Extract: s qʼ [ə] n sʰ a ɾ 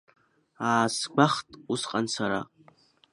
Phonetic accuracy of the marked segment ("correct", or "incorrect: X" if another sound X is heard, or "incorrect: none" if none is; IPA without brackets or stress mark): incorrect: a